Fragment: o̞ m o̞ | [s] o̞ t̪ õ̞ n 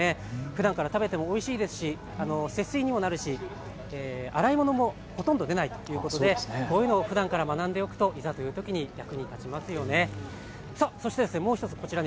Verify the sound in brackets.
incorrect: h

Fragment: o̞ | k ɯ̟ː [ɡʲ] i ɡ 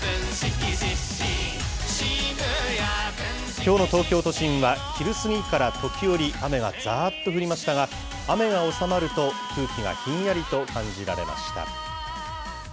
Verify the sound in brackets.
incorrect: kʲ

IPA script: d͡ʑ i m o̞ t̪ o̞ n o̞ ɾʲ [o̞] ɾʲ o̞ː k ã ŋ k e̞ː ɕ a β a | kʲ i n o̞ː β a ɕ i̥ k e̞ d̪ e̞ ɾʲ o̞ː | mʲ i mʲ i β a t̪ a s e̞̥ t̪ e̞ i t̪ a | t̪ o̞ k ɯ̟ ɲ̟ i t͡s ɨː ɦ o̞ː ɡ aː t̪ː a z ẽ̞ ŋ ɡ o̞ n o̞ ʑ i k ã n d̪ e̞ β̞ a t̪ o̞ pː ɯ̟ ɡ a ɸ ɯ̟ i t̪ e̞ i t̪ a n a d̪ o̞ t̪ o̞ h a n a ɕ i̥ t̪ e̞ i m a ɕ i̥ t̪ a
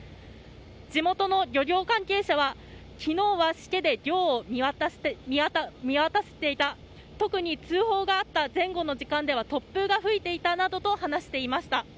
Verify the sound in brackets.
correct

